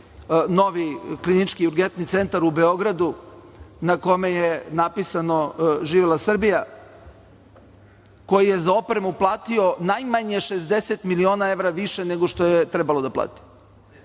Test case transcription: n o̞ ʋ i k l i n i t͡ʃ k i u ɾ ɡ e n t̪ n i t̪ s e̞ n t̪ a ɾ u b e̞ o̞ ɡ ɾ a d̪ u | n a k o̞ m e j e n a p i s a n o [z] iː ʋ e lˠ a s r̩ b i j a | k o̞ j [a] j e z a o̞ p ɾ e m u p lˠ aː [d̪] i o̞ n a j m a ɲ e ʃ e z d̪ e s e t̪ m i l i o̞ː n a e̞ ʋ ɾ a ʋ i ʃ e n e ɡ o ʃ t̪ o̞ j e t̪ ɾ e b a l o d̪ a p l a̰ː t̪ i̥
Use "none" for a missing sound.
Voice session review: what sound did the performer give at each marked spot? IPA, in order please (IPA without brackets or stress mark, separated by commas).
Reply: ʒ, i, t̪